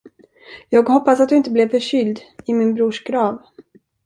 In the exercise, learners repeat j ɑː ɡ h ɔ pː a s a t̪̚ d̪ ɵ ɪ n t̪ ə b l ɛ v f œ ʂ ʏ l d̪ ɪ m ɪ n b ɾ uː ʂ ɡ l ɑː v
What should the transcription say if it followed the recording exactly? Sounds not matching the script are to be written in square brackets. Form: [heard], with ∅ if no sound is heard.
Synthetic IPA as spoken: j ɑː ɡ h ɔ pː a s a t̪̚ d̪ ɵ ɪ n t̪ ə b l ɛ v f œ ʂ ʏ l d̪ ɪ m ɪ n b ɾ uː ʂ ɡ [ɾ] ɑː v